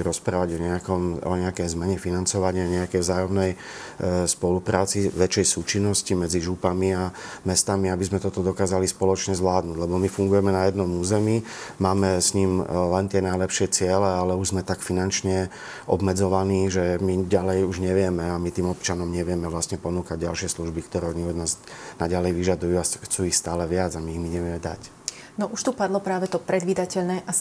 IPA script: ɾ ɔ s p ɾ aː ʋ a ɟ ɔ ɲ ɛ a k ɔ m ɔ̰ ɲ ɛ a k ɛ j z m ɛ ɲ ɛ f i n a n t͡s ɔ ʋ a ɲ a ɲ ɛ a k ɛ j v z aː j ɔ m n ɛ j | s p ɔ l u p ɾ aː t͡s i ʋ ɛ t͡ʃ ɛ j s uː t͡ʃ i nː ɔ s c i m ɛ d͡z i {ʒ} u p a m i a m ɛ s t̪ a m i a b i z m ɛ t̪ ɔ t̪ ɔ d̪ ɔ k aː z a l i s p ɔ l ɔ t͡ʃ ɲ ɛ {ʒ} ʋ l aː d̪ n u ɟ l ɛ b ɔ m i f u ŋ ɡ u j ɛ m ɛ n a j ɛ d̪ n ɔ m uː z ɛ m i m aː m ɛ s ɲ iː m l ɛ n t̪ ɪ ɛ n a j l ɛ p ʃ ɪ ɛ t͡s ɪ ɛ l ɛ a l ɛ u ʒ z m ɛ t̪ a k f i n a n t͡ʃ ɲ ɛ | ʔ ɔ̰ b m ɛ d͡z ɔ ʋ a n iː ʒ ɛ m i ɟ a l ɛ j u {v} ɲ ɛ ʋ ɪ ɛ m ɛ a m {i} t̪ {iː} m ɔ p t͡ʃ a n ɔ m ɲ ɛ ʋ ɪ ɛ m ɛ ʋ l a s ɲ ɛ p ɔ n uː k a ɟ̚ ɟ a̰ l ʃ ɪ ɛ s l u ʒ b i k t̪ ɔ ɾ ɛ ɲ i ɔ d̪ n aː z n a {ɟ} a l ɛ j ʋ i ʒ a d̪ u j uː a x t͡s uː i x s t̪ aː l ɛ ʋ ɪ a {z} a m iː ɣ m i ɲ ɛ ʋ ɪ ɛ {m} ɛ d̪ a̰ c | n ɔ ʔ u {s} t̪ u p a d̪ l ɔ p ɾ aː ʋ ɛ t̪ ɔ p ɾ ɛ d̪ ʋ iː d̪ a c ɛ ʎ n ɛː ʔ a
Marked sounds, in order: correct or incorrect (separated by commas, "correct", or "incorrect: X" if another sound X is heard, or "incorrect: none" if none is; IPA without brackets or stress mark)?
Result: correct, incorrect: z, incorrect: ʒ, correct, correct, correct, incorrect: d͡z, correct, incorrect: ʃ